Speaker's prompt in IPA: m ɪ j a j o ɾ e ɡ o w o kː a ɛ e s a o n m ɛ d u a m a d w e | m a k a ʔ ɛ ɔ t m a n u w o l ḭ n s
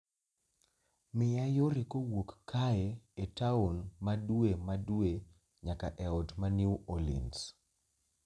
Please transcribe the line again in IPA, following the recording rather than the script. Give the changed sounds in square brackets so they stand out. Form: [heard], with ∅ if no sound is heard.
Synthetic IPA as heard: m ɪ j a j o ɾ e [k] o w o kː a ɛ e [t] a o n m [a] d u [e] m a d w e | [ɲ] a k a ʔ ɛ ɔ t m a n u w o l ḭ n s